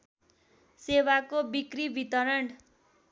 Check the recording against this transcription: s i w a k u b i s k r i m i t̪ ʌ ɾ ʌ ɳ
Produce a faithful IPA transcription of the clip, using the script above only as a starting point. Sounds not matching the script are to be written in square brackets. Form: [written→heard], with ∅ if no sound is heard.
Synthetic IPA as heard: s [i→e] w a k [u→o] b i [s→∅] k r i [m→b] i t̪ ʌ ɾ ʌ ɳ